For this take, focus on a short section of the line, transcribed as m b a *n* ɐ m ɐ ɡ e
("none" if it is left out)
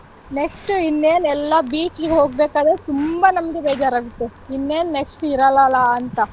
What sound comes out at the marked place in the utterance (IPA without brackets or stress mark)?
n